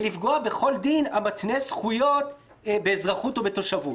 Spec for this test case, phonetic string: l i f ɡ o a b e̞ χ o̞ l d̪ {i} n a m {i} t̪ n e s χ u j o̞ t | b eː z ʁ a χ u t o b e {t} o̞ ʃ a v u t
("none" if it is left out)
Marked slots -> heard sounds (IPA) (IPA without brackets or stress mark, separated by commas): i, a, t